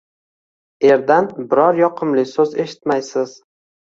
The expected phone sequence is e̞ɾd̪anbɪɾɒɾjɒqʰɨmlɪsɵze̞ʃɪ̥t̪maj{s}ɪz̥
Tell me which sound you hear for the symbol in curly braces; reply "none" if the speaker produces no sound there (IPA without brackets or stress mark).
s